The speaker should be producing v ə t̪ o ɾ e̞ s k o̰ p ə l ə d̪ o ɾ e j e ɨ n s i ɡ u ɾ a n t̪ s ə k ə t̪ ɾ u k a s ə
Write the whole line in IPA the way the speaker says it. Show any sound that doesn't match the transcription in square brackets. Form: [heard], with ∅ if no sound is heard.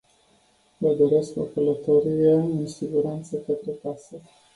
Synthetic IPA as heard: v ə [d̪] o ɾ e̞ s k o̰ [k] ə l ə [t̪] o ɾ [i] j e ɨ n s i ɡ u ɾ a n t̪ s ə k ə t̪ ɾ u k a s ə